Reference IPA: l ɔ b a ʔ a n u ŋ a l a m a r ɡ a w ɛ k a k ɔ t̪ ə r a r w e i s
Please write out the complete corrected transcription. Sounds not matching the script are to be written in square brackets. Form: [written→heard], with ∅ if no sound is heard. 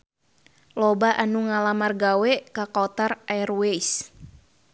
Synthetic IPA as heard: l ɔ b a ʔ a n u ŋ a l a m a r ɡ a w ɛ k a k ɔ t̪ [ə→a] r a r w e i s